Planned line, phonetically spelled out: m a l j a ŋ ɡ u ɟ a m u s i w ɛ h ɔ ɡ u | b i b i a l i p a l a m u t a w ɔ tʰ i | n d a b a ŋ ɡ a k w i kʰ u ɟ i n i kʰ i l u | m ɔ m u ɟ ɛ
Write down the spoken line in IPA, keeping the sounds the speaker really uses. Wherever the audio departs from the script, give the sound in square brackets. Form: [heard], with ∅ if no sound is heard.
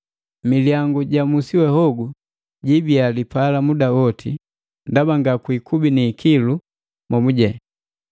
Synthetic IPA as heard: m [i] l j a ŋ ɡ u ɟ a m u s i w ɛ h ɔ ɡ u | [ɟ] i b i a l i p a l a m u [d] a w ɔ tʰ i | n d a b a ŋ ɡ a k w i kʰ u [b] i n i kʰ i l u | m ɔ m u ɟ ɛ